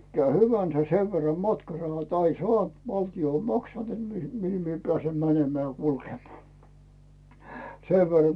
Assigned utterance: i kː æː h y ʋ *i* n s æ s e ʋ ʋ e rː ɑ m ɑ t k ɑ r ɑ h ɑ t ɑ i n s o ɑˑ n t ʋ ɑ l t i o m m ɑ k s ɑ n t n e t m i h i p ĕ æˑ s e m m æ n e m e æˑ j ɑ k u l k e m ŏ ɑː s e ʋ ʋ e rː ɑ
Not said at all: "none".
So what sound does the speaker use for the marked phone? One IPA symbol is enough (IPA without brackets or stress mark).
æ